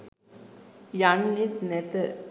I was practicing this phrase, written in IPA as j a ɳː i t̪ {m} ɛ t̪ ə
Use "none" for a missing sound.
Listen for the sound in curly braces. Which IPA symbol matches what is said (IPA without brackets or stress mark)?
n